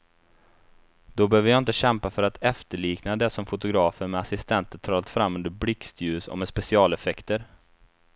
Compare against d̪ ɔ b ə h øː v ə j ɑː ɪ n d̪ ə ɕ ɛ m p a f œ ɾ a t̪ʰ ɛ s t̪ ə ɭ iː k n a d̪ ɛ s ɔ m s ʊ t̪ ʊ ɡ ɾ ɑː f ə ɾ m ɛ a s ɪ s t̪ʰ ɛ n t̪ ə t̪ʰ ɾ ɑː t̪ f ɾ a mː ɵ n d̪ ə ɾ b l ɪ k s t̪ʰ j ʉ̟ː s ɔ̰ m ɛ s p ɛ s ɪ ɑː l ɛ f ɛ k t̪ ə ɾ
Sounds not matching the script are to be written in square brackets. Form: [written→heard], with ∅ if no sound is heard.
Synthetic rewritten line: d̪ ɔ b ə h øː v ə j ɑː ɪ n [d̪→t̪] ə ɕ ɛ m p a f œ ɾ a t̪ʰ ɛ [s→f] t̪ ə ɭ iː k n a d̪ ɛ s ɔ m [s→f] ʊ t̪ ʊ ɡ ɾ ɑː f ə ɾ m ɛ a s ɪ s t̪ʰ ɛ n t̪ ə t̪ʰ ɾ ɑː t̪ f ɾ a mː ɵ n d̪ ə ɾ b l ɪ k s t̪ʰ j ʉ̟ː s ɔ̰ m ɛ s p ɛ s ɪ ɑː l ɛ f ɛ k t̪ ə ɾ

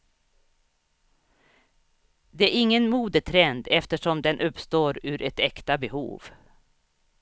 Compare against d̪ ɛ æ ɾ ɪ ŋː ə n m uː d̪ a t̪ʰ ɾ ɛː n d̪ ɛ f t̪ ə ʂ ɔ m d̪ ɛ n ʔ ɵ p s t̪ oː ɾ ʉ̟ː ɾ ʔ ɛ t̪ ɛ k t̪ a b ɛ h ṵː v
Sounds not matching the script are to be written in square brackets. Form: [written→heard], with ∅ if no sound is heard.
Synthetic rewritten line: d̪ ɛ æ ɾ ɪ ŋː ə n m uː d̪ [a→ə] t̪ʰ ɾ [ɛː→ɛ] n d̪ ɛ f t̪ ə ʂ ɔ m d̪ ɛ n ʔ ɵ p s t̪ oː ɾ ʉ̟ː ɾ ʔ ɛ t̪ ɛ k t̪ a b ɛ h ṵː v

